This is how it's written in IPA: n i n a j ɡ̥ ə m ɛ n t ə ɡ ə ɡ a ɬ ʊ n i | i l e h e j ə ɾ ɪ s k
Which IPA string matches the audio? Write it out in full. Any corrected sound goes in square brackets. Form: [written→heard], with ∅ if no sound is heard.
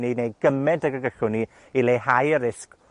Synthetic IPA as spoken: n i n [a→e] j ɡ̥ ə m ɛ n t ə ɡ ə ɡ [a→ə] ɬ ʊ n i | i l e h [e→a] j ə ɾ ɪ s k